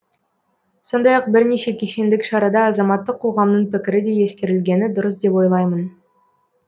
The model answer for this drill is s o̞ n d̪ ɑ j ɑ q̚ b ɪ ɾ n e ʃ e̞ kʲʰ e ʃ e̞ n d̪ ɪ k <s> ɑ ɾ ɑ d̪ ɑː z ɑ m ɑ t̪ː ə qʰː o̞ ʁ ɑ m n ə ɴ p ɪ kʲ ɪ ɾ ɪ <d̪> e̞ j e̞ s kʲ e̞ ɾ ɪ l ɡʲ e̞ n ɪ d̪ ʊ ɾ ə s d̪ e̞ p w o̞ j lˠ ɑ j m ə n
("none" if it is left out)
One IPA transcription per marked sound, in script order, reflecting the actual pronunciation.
ʃ, d̪

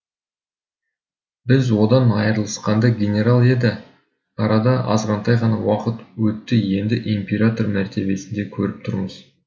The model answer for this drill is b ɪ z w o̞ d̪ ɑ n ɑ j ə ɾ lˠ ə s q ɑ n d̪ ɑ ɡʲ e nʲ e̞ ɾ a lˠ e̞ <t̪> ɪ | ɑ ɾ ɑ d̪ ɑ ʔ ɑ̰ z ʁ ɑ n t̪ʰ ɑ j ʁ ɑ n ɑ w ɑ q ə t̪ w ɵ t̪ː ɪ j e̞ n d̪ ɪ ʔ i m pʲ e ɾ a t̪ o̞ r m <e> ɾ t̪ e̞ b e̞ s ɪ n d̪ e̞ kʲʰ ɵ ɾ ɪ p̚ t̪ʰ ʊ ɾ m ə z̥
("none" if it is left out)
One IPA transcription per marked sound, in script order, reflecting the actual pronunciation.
d̪, æ

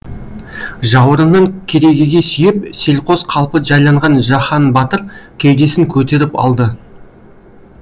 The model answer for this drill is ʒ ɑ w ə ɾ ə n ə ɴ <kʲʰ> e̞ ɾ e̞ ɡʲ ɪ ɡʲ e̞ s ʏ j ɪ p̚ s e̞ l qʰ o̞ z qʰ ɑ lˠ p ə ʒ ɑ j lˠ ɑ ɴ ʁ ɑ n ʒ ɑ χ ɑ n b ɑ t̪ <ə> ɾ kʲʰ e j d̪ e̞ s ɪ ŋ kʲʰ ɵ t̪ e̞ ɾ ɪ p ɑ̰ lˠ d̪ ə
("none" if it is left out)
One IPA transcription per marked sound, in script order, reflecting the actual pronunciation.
kʲʰ, ə

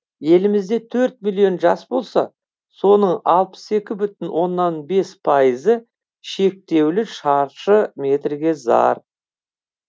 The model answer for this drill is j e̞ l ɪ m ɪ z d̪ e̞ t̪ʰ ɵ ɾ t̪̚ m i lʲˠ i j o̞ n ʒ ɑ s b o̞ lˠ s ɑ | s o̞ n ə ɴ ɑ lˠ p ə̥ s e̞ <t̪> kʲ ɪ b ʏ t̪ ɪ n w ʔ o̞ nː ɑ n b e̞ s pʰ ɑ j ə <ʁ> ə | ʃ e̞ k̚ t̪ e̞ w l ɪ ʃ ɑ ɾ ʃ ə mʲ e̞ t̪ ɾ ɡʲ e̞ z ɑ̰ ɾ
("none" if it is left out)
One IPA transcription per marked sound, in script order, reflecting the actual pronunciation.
none, z

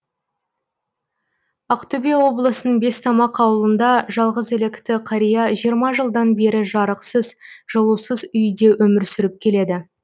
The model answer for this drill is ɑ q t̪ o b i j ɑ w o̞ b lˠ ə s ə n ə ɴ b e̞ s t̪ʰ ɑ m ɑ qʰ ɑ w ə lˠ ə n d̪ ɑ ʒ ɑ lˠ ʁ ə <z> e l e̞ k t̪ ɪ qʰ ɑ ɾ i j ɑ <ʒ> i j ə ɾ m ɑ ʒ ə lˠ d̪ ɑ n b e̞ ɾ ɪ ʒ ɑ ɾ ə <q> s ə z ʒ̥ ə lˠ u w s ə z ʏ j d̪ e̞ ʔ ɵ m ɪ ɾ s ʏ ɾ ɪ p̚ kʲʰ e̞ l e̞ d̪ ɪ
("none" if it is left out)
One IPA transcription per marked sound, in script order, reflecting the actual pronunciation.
z, ʒ, q

